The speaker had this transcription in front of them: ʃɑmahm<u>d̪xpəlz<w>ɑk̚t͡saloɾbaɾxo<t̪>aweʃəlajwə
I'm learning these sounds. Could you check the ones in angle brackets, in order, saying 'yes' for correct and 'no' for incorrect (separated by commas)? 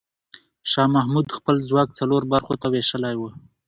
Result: yes, yes, yes